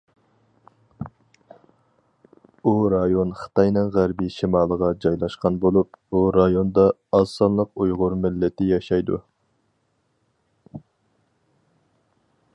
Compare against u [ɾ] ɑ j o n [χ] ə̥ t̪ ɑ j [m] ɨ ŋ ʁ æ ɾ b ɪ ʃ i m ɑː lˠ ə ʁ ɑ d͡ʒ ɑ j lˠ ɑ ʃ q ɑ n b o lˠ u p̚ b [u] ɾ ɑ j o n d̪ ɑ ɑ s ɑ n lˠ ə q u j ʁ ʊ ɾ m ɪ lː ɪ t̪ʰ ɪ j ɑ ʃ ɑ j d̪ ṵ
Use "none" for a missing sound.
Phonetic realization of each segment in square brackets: ɾ, χ, n, u

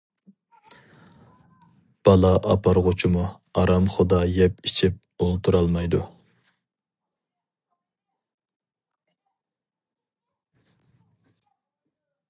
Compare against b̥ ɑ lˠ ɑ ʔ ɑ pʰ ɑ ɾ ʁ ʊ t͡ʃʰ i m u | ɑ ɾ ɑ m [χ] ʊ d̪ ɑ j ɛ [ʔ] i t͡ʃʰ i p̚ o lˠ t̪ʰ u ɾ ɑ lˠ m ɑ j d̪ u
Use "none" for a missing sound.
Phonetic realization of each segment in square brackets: χ, p

